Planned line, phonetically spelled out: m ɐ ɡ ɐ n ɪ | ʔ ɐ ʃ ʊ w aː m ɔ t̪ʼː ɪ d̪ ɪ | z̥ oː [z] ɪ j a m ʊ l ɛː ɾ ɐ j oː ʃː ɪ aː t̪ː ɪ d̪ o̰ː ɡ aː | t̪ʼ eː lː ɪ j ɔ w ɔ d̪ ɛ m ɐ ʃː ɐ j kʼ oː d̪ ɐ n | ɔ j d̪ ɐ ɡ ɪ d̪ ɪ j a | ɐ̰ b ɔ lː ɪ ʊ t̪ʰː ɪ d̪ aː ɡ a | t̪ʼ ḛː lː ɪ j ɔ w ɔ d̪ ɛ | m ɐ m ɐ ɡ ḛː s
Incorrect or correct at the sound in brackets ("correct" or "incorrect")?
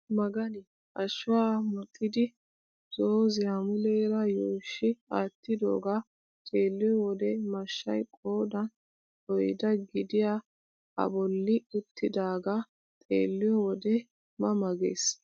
correct